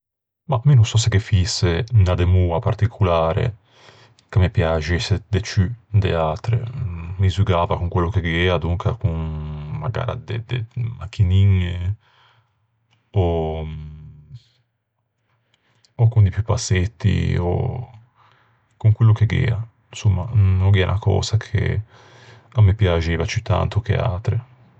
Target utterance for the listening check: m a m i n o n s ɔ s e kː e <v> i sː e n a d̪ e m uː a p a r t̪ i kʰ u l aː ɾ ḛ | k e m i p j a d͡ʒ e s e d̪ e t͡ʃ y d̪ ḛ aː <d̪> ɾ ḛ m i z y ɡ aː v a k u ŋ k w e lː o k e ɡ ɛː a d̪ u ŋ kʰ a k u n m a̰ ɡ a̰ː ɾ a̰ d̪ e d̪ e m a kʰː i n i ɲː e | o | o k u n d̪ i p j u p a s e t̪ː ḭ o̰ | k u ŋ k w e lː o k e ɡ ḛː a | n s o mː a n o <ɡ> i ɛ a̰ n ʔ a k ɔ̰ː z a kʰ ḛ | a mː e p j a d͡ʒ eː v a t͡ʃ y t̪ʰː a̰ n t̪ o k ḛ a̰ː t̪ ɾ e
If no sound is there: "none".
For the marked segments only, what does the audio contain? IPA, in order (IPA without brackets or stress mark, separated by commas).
f, t̪, ɡ